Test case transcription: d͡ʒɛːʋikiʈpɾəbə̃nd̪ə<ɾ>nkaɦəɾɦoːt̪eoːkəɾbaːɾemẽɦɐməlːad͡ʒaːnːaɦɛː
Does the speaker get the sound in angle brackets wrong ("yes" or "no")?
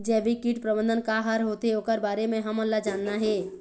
yes